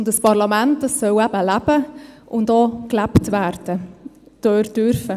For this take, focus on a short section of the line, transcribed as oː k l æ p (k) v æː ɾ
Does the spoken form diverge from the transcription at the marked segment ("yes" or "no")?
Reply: yes